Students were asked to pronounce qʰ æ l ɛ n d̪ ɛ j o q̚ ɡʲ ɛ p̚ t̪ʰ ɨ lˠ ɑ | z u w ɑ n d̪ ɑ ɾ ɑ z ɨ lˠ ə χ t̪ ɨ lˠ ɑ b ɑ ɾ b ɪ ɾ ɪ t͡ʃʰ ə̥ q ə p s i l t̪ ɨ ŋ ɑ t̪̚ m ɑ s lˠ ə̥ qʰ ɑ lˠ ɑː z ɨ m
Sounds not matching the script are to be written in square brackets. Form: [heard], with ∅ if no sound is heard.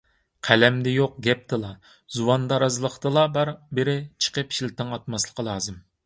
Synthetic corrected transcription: qʰ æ l ɛ [m] d̪ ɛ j o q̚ ɡʲ ɛ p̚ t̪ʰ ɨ lˠ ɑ | z u w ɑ n d̪ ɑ ɾ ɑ z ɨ lˠ ə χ t̪ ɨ lˠ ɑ b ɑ ɾ b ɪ ɾ ɪ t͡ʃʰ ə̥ q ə p [ʃ] i l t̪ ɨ ŋ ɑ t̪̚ m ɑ s lˠ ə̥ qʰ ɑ lˠ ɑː z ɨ m